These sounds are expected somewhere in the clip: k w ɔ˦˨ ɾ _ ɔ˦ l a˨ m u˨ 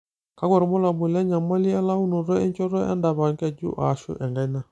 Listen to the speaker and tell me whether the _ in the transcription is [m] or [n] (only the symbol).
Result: m